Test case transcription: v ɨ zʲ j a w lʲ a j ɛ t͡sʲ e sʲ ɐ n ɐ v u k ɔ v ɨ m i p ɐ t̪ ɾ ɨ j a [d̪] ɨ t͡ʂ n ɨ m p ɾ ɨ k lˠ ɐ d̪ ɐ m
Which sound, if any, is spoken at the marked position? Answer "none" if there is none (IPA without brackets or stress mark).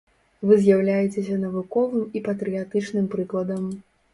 t̪